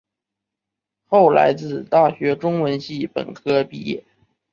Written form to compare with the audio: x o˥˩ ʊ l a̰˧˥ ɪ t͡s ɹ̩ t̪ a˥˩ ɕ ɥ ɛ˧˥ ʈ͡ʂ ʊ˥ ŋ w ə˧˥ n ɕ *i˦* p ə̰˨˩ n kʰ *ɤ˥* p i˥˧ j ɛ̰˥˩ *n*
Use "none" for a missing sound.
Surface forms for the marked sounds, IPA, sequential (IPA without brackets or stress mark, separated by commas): i˥˩, ɤ˥, none